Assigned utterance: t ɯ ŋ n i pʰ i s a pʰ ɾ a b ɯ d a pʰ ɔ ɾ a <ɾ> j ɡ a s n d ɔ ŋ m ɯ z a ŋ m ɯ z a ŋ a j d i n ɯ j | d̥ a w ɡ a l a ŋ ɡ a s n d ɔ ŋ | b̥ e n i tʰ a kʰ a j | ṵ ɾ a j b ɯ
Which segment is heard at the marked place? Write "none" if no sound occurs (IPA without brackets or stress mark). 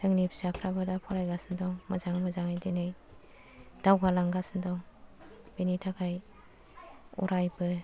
none